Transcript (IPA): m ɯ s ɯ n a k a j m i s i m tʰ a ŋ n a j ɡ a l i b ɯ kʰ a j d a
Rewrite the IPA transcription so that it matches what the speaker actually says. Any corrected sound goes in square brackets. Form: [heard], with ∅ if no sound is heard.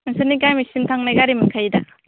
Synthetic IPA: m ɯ s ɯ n [i] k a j m i s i m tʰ a ŋ n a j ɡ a [ɾ] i [m] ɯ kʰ a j d a